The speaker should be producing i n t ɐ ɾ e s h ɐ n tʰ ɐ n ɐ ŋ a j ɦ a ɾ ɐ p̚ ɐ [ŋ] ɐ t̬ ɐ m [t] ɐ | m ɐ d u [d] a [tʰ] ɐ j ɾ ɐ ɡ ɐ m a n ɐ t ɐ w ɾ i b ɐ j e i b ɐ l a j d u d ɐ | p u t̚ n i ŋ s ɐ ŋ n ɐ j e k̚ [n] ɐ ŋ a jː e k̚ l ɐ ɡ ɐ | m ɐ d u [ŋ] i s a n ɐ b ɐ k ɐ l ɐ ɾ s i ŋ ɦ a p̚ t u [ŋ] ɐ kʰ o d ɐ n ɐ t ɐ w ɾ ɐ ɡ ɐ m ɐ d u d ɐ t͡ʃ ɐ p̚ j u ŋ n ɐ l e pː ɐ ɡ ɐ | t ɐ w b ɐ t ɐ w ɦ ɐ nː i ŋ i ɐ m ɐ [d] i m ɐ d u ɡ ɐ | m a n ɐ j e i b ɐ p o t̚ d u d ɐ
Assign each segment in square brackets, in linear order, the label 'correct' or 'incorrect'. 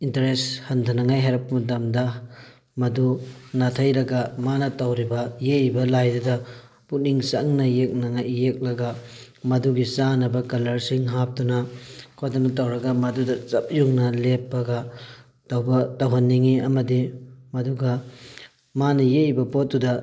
incorrect: m, incorrect: d, incorrect: n, correct, correct, incorrect: ɡ, incorrect: n, correct

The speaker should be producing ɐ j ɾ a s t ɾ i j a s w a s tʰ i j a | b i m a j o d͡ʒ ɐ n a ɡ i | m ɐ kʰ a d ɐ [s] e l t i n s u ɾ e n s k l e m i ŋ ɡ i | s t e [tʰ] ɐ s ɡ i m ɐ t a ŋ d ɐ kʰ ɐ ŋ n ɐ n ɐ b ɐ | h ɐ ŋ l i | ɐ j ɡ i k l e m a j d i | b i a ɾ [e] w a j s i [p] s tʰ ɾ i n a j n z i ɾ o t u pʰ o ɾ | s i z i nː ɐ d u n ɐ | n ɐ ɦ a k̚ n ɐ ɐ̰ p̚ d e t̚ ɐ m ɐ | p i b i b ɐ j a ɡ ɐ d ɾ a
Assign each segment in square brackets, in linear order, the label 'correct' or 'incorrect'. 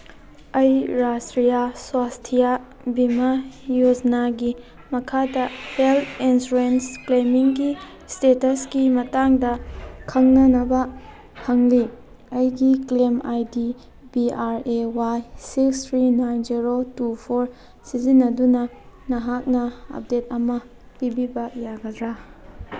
incorrect: h, incorrect: t, correct, incorrect: k

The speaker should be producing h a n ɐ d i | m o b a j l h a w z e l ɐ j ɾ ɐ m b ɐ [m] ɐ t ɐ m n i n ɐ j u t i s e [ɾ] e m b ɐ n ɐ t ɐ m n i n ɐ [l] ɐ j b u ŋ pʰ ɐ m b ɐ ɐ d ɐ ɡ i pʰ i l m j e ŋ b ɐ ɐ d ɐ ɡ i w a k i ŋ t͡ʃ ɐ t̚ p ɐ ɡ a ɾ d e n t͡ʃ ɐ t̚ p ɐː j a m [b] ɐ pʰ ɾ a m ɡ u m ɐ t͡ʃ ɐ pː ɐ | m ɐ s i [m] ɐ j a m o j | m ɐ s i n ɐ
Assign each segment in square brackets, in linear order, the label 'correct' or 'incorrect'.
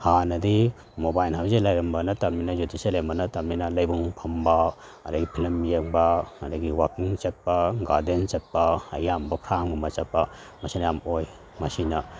incorrect: n, incorrect: l, correct, correct, incorrect: n

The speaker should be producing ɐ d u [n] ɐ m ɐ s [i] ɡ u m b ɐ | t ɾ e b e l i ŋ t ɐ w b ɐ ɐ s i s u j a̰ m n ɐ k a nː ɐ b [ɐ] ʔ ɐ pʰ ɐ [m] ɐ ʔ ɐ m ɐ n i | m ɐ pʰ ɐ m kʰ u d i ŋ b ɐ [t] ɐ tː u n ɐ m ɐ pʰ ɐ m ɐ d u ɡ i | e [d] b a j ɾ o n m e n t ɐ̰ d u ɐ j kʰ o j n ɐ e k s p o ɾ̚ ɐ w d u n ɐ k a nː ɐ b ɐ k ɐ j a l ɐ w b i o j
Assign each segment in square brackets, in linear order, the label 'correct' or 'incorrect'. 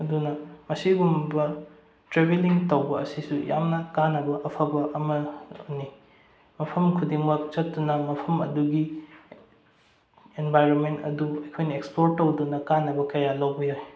correct, correct, correct, incorrect: b, incorrect: t͡ʃ, incorrect: n

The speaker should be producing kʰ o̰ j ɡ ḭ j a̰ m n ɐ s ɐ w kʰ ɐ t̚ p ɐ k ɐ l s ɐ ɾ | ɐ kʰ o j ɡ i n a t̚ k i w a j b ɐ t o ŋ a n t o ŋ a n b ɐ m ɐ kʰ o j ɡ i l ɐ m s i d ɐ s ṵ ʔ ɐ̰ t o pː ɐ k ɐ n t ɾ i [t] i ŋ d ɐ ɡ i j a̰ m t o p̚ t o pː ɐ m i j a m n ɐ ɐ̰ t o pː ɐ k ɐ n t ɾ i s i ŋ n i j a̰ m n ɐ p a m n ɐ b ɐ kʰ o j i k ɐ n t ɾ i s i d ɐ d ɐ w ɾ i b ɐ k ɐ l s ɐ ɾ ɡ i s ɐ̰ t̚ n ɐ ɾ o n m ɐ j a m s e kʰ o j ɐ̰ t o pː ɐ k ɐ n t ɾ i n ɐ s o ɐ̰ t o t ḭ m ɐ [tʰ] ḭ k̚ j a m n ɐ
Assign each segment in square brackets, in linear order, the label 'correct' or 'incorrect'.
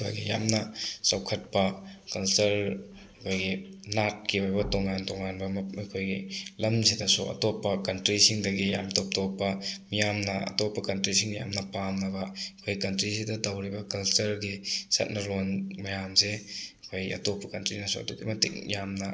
incorrect: s, incorrect: t

